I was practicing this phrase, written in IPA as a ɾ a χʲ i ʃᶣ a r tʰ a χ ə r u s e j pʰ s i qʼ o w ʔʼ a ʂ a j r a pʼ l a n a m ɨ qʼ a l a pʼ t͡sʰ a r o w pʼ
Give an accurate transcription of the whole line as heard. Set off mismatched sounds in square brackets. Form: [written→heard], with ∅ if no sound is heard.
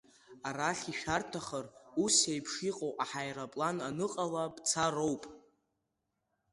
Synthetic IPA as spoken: a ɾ a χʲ i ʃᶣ a r tʰ a χ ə r u s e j pʰ [s→ʂ] i qʼ o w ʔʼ a [ʂ→ħ] a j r a pʼ l a n a [m→n] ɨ qʼ a l a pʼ t͡sʰ a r o w pʼ